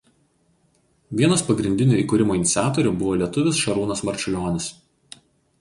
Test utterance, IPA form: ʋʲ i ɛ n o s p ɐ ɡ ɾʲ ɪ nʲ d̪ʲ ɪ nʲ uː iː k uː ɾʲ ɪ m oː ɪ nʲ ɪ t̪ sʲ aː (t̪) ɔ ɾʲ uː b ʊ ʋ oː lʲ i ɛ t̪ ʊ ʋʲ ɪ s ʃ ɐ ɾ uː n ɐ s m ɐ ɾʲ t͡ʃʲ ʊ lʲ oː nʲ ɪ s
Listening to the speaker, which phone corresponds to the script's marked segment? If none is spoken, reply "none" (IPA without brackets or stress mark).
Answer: t̪